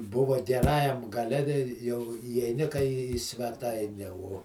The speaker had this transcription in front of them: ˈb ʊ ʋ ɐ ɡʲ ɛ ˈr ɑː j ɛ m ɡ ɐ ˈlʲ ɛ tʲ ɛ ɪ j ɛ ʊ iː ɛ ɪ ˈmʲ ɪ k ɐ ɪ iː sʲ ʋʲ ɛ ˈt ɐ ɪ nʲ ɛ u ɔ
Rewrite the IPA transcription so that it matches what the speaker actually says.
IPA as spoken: ˈb ʊ ʋ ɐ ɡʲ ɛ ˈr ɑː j ɛ m ɡ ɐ ˈlʲ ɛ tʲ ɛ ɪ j ɛ ʊ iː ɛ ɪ ˈnʲ ɪ k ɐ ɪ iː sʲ ʋʲ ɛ ˈt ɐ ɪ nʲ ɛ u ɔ